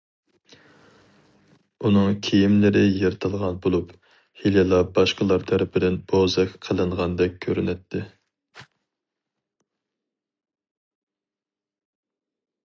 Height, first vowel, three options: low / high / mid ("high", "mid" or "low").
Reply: high